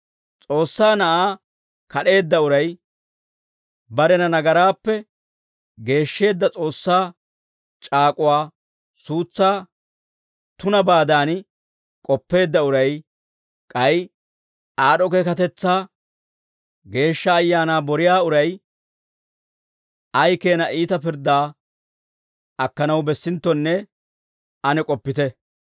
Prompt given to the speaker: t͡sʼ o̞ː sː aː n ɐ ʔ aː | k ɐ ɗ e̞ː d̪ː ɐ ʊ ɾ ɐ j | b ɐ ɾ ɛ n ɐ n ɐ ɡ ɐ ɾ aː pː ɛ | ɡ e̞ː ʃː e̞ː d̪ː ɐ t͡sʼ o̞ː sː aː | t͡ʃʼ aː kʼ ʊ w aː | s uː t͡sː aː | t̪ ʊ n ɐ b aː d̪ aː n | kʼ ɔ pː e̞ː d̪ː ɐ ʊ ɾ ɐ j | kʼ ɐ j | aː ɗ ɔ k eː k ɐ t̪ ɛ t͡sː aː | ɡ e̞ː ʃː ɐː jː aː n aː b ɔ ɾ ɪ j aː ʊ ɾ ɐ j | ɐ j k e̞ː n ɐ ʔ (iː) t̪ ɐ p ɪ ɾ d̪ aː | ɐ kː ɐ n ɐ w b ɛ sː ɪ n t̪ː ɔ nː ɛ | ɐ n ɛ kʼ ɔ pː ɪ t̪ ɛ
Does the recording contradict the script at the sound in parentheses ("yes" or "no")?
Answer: no